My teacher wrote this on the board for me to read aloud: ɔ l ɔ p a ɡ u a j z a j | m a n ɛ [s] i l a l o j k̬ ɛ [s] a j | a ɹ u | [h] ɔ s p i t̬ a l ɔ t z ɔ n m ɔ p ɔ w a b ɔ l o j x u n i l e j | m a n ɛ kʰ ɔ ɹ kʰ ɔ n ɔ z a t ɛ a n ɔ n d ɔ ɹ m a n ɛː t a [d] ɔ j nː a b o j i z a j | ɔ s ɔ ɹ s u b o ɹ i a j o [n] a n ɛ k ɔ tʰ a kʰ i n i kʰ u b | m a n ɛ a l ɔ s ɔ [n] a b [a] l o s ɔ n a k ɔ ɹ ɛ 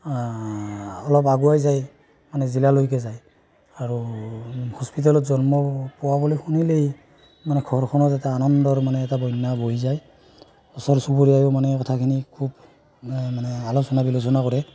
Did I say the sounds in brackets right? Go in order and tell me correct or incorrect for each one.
incorrect: z, incorrect: z, correct, incorrect: b, incorrect: m, correct, incorrect: i

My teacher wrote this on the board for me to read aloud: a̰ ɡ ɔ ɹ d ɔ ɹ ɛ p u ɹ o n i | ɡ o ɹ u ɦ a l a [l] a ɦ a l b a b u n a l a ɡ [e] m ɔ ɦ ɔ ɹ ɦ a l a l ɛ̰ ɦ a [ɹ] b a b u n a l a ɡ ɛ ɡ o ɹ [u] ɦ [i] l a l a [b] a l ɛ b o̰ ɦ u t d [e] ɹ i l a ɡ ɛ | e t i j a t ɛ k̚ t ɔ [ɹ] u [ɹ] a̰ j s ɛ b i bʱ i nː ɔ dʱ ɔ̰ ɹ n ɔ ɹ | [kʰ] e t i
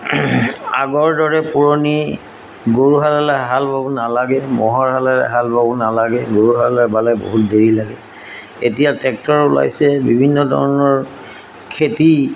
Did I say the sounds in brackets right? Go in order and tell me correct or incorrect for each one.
correct, incorrect: ɛ, incorrect: l, correct, incorrect: a, correct, correct, correct, incorrect: l, correct

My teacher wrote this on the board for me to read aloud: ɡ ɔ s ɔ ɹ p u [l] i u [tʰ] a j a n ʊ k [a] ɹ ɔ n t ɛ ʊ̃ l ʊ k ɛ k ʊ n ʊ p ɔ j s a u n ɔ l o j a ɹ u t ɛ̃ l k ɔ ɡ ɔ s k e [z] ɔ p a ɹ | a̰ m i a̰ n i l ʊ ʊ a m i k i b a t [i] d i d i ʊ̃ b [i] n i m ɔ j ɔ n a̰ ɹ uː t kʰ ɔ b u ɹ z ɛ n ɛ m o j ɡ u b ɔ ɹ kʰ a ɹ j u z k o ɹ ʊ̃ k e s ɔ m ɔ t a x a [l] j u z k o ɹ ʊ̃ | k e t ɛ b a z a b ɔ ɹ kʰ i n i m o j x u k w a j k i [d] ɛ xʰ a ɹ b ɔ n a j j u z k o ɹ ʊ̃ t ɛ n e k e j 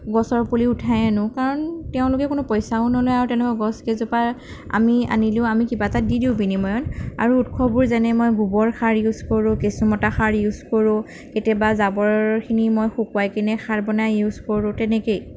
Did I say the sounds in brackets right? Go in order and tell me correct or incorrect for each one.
correct, correct, correct, correct, incorrect: a, correct, incorrect: ɹ, incorrect: n

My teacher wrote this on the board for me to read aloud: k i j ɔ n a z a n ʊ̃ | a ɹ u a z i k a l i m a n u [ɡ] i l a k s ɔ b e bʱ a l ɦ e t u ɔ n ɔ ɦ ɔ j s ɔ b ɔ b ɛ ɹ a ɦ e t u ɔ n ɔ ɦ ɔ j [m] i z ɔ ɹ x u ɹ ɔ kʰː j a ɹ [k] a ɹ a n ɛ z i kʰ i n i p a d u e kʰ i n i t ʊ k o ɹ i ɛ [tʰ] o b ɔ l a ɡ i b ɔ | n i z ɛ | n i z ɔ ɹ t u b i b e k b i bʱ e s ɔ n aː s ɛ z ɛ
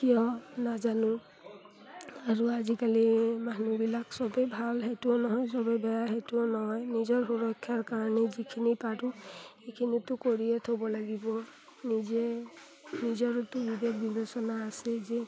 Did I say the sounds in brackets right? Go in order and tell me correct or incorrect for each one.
incorrect: b, incorrect: n, correct, correct

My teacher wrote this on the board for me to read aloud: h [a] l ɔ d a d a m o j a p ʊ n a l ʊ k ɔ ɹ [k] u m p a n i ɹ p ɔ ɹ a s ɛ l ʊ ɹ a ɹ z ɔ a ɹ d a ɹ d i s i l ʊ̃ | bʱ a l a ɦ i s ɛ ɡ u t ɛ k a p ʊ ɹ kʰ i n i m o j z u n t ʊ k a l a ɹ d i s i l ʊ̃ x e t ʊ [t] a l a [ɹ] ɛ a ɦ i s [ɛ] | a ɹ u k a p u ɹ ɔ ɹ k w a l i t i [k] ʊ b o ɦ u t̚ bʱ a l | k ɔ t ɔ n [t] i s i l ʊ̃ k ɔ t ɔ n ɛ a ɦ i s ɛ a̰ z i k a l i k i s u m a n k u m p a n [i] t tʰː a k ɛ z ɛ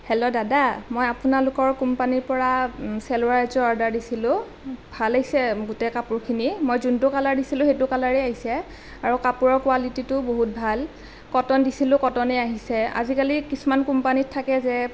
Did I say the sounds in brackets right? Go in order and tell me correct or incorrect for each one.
incorrect: ɛ, correct, incorrect: k, correct, correct, incorrect: t, incorrect: d, correct

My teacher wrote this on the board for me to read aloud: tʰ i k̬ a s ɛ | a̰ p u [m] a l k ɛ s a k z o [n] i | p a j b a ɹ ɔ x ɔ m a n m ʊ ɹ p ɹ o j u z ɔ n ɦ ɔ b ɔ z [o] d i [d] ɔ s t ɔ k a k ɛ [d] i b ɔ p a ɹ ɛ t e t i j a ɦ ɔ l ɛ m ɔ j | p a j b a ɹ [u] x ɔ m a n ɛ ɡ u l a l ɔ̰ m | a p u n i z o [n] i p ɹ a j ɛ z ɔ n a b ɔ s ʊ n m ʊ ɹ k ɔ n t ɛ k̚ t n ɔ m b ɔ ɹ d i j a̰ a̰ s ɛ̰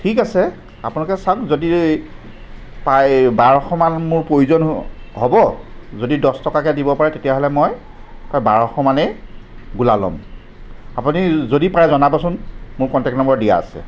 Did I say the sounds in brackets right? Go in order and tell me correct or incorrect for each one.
incorrect: n, incorrect: d, correct, correct, correct, incorrect: ɔ, incorrect: d

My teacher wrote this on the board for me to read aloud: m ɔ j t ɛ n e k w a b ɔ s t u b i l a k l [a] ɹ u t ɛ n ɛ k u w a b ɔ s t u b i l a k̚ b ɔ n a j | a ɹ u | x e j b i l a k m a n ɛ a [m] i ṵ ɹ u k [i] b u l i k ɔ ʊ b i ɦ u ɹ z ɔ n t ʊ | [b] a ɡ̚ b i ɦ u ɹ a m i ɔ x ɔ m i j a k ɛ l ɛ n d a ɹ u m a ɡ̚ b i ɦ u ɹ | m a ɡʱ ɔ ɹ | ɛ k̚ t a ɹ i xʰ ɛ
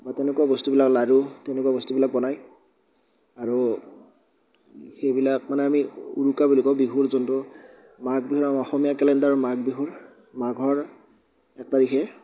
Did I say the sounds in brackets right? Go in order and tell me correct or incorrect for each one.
correct, correct, incorrect: a, incorrect: m

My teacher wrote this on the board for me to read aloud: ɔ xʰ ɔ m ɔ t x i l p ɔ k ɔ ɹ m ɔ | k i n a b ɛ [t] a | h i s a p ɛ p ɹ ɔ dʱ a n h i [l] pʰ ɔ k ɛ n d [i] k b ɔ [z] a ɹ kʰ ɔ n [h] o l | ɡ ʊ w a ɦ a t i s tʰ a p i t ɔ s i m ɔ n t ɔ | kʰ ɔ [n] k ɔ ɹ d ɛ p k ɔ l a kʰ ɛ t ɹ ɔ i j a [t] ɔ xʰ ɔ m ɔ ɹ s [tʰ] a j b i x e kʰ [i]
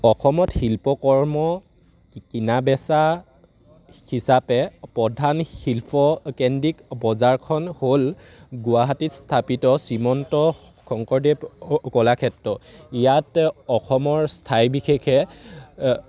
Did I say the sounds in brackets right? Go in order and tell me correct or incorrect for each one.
incorrect: s, correct, correct, correct, correct, incorrect: ŋ, correct, correct, incorrect: ɛ

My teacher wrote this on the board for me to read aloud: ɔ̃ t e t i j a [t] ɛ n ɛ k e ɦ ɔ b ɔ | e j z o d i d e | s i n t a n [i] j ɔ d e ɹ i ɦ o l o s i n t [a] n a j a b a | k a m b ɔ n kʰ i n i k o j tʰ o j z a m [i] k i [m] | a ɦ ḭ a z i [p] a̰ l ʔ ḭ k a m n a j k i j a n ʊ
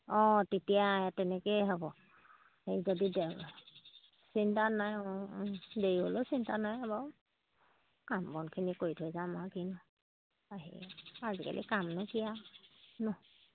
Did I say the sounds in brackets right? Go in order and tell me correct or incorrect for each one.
correct, incorrect: a, correct, incorrect: a, incorrect: n, incorrect: k

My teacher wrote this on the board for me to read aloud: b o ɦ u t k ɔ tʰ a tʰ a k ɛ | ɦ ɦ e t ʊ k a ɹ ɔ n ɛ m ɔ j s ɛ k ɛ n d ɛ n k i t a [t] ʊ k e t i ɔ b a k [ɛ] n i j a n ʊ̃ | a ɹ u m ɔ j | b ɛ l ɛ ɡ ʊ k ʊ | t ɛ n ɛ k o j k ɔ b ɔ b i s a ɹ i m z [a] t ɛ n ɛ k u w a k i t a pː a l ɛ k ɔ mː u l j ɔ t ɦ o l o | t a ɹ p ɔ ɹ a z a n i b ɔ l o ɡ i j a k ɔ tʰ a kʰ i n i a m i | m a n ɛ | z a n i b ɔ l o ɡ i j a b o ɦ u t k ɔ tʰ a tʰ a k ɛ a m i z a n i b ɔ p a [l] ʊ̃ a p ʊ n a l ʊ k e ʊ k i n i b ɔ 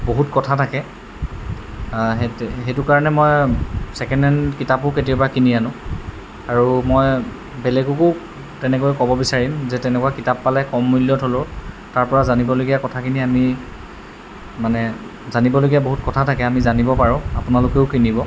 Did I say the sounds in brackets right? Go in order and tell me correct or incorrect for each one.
incorrect: p, incorrect: i, incorrect: ɛ, incorrect: ɹ

